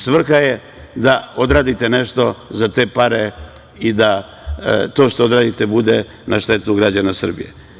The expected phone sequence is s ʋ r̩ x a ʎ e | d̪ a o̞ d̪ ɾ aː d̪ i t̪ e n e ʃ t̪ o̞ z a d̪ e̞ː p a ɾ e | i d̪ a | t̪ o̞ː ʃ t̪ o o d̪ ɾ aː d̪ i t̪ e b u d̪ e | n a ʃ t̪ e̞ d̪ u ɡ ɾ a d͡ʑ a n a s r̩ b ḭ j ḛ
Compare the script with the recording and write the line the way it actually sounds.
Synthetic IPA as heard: s ʋ r̩ x a j e | d̪ a o̞ d̪ ɾ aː d̪ i t̪ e n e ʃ t̪ o̞ z a t̪ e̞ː p a ɾ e | i d̪ a | t̪ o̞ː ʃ t̪ o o d̪ ɾ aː d̪ i t̪ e b u d̪ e | n a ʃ t̪ e̞ t̪ u ɡ ɾ a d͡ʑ a n a s r̩ b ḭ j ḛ

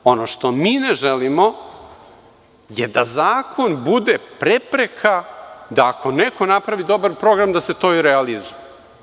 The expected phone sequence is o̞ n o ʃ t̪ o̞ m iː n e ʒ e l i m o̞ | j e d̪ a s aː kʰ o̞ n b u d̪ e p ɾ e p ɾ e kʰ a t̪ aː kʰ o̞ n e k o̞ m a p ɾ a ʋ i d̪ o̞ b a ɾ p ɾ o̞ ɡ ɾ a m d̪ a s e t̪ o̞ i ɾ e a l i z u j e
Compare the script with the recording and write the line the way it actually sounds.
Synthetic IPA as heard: o̞ n o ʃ t̪ o̞ m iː n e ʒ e l i m o̞ | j e d̪ a z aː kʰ o̞ n b u d̪ e p ɾ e p ɾ e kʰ a d̪ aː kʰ o̞ n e k o̞ n a p ɾ a ʋ i d̪ o̞ b a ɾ p ɾ o̞ ɡ ɾ a m d̪ a s e t̪ o̞ i ɾ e a l i z u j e

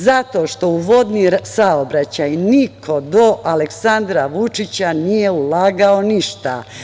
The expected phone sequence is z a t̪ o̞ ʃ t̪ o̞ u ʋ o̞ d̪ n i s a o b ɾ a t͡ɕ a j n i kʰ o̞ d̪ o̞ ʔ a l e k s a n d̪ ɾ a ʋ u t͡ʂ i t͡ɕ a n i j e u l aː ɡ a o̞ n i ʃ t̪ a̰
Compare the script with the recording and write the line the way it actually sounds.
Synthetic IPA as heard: z a t̪ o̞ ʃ t̪ o̞ u ʋ o̞ d̪ n i s a o b ɾ a t͡ɕ a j n i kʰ o̞ d̪ o̞ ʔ a l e k s a n d̪ ɾ a ʋ u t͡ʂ i t͡ɕ a n i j e u l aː ɡ a o̞ n i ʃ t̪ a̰

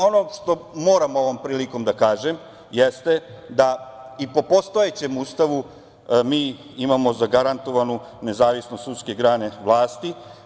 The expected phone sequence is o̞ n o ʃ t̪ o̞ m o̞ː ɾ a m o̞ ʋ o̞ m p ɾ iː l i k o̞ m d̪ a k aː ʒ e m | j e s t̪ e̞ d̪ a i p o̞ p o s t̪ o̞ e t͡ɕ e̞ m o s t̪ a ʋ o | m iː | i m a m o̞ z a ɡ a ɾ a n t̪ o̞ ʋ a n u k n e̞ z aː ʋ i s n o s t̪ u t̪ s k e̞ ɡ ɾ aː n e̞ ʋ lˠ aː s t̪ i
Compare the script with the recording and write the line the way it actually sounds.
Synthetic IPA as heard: o̞ n o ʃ t̪ o̞ m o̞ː ɾ a m o̞ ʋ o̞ m p ɾ iː l i k o̞ m d̪ a k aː ʒ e m | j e s t̪ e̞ d̪ a i p o̞ p o s t̪ o̞ e t͡ɕ e̞ m u s t̪ a ʋ u | m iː | i m a m o̞ z a ɡ a ɾ a n t̪ o̞ ʋ a n u n e̞ z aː ʋ i s n o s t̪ u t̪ s k e̞ ɡ ɾ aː n e̞ ʋ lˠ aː s t̪ i

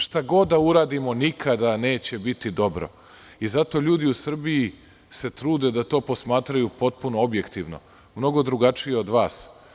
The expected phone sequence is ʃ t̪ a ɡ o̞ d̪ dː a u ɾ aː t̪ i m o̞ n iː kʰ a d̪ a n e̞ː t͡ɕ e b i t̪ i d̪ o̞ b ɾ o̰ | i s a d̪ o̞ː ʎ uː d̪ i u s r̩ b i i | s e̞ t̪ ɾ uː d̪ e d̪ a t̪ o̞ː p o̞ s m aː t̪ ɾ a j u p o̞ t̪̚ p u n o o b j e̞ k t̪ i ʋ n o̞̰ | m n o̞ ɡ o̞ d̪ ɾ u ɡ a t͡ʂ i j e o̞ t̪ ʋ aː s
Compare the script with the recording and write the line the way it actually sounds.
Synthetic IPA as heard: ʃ t̪ a ɡ o̞ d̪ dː a u ɾ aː d̪ i m o̞ n i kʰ a d̪ a n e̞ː t͡ɕ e b i t̪ i d̪ o̞ b ɾ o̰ | i z a t̪ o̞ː ʎ uː d̪ i u s r̩ b i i | s e̞ t̪ ɾ uː d̪ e d̪ a t̪ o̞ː p o̞ s m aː t̪ ɾ a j u p o̞ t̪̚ p u n o o b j e̞ k t̪ i ʋ n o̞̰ | m n o̞ ɡ o̞ d̪ ɾ u ɡ a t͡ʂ i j e o̞ d̪ ʋ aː s

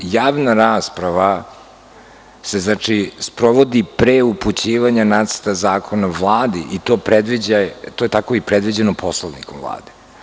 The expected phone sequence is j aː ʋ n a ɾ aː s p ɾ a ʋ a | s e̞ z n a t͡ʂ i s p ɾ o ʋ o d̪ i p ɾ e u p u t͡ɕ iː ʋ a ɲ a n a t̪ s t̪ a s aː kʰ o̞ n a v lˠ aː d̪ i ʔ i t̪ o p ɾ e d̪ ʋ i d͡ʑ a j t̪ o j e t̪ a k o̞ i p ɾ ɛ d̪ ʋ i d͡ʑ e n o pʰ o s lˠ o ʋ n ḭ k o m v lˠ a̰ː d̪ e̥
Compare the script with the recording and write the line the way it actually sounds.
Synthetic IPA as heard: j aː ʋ n a ɾ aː s p ɾ a ʋ a | s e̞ z n a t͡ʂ i s p ɾ o ʋ o d̪ i p ɾ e u p u t͡ɕ iː ʋ a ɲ a n a t̪ s t̪ a z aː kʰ o̞ n a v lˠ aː d̪ i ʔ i t̪ o p ɾ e d̪ ʋ i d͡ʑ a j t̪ o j e t̪ a k o̞ i p ɾ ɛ d̪ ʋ i d͡ʑ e n o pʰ o s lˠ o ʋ n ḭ k o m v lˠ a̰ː d̪ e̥

